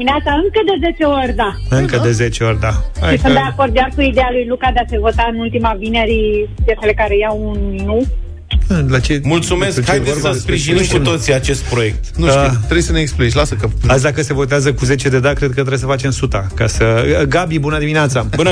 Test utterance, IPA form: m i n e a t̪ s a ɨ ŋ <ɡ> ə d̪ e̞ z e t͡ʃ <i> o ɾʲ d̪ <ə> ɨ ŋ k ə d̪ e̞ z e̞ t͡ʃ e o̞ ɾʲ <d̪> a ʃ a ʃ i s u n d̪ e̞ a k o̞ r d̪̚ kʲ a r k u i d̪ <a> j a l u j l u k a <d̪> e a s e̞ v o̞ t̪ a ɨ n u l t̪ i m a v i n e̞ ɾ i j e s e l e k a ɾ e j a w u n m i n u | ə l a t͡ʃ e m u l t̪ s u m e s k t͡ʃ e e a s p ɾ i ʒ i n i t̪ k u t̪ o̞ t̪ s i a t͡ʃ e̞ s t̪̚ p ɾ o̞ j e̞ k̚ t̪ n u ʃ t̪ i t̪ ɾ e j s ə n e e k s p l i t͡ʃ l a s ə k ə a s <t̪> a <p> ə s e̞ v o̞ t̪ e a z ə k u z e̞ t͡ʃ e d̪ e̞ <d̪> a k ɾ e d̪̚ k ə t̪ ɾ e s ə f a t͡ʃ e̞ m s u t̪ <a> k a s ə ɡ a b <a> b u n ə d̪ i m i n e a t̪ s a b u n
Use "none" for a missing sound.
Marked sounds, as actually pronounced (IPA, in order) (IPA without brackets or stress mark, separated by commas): k, e, a, d̪, e, d̪, d̪, k, d̪, a, i